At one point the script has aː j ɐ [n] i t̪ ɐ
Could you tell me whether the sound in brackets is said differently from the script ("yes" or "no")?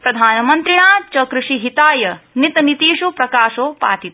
no